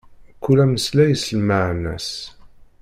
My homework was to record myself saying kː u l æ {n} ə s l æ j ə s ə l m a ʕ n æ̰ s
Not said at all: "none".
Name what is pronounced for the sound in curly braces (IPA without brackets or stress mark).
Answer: m